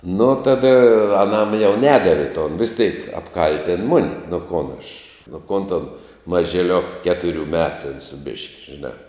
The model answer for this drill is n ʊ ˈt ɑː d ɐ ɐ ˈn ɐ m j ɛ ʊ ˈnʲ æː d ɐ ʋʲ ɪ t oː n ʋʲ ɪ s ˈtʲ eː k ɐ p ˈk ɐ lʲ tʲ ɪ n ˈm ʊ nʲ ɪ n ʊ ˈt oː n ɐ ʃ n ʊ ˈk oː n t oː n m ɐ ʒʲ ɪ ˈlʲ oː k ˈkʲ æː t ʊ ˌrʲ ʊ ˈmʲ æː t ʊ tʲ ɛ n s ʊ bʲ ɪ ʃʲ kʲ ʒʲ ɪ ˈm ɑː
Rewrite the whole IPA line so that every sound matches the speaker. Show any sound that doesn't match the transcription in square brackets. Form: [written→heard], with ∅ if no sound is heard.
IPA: n ʊ ˈt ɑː d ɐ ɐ ˈn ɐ m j ɛ ʊ ˈnʲ æː d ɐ ʋʲ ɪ t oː n ʋʲ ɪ s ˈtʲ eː k ɐ p ˈk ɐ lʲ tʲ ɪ n ˈm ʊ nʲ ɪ n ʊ [ˈt→ˈk] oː n ɐ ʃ n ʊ ˈk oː n t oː n m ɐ ʒʲ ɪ ˈlʲ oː k ˈkʲ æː t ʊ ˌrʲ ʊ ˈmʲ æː t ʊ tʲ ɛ n s ʊ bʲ ɪ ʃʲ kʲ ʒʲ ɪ [ˈm→ˈn] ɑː